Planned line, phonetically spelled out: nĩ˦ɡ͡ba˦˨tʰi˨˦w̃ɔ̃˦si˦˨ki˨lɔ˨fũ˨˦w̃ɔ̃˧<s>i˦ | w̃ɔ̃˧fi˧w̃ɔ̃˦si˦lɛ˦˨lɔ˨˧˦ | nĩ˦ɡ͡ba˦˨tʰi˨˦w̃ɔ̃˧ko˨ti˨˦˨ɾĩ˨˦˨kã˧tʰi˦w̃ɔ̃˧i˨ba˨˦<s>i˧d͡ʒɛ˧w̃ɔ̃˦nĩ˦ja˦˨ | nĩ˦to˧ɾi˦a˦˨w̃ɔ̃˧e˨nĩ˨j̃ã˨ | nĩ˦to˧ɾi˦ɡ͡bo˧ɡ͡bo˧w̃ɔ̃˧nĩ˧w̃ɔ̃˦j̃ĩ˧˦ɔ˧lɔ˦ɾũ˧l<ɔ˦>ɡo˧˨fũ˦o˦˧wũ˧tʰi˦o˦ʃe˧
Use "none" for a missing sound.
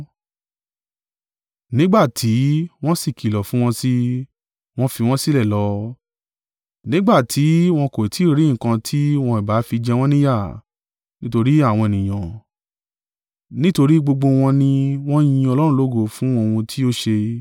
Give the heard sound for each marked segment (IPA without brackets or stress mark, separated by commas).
s, f, o˦